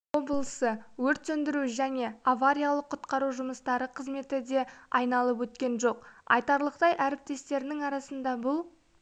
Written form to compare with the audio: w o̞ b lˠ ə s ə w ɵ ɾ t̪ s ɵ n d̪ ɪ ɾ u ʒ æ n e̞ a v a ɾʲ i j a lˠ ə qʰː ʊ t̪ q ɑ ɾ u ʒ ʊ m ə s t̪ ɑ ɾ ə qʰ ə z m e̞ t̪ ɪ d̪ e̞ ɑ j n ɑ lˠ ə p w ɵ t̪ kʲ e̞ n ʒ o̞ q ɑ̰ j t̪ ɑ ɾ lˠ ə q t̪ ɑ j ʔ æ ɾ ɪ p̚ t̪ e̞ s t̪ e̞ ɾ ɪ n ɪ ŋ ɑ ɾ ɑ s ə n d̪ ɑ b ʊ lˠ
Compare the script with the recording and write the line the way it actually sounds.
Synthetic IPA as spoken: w o̞ b lˠ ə s ə w ɵ ɾ t̪ s ɵ n d̪ ɪ ɾ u ʒ æ n e̞ a v a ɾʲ i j a lˠ ə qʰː ʊ t̪ q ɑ ɾ u ʒ ʊ m ə s t̪ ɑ ɾ ə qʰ ə z m e̞ t̪ ɪ d̪ e̞ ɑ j n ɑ lˠ ə p w ɵ t̪ kʲ e̞ n ʒ o̞ q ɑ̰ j t̪ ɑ ɾ lˠ ə q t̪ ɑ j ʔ æ ɾ ɪ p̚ t̪ e̞ s t̪ e̞ ɾ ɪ n ɪ ŋ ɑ ɾ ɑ s ə n d̪ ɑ b ʊ lˠ